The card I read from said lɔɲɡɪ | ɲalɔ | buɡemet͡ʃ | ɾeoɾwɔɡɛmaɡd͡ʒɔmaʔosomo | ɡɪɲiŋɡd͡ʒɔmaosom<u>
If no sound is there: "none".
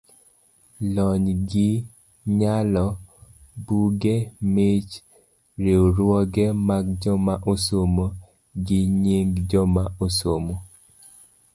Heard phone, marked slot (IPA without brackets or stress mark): o